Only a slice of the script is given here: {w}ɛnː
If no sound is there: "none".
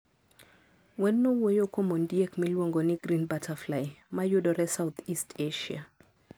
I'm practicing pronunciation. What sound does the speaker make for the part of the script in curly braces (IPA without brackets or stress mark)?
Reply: w